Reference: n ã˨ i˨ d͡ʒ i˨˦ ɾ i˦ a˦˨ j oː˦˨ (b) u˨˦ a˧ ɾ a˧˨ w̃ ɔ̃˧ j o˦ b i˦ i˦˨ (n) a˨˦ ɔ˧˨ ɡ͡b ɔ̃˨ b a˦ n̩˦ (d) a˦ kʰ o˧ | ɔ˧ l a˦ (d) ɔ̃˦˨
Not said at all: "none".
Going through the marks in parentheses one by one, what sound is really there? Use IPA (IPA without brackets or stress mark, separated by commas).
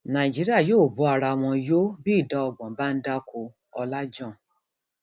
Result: b, d, d, d͡ʒ